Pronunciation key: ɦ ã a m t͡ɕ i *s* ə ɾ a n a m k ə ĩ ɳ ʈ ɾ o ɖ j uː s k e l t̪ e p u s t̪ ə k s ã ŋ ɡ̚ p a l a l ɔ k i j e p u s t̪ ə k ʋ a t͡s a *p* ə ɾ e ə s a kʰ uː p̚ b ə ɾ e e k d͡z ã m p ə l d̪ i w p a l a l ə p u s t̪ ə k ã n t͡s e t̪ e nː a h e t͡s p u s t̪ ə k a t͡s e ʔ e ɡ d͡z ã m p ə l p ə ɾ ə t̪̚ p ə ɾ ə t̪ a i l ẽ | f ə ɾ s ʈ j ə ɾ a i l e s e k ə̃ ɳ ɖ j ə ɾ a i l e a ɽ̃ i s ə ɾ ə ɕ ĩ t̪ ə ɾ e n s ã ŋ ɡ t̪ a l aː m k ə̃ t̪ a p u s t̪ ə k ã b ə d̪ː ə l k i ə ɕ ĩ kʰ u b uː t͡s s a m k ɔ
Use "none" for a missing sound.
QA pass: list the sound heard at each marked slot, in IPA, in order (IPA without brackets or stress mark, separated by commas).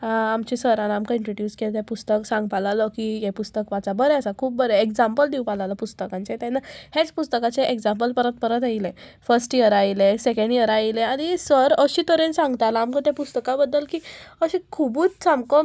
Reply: s, b